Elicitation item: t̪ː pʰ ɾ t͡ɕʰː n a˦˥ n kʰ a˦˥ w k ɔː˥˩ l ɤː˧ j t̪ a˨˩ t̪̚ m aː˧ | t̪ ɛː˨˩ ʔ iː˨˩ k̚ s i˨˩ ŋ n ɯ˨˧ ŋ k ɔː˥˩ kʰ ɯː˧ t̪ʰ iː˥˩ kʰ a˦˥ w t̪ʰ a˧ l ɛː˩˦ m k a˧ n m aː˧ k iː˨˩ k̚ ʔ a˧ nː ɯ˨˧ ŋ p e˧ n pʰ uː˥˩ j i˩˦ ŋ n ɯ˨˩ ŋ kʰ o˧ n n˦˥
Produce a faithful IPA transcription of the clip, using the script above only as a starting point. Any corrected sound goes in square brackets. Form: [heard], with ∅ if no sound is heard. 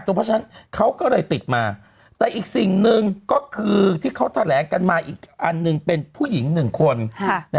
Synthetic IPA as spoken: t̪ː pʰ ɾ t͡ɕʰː n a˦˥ n kʰ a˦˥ w k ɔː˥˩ l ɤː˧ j t̪ [i˨˩] t̪̚ m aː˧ | t̪ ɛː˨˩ ʔ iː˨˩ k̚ s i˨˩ ŋ n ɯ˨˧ ŋ k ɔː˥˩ kʰ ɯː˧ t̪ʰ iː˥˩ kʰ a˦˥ w t̪ʰ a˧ l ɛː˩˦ [ŋ] k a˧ n m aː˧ [ʔ] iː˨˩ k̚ ʔ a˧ nː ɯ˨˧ ŋ p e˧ n pʰ uː˥˩ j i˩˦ ŋ n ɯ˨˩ ŋ kʰ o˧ n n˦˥